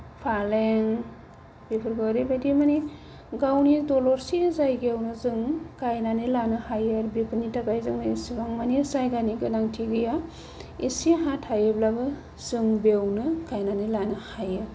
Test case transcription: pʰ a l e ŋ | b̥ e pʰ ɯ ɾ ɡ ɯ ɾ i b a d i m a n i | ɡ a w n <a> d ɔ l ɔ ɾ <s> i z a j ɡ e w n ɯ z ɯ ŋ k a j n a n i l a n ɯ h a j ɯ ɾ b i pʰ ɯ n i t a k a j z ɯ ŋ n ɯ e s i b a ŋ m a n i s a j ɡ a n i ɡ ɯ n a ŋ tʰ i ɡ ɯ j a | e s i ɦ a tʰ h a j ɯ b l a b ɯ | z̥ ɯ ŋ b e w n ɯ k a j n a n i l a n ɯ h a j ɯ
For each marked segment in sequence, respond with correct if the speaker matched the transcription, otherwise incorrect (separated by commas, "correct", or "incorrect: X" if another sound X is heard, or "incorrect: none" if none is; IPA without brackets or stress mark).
incorrect: i, correct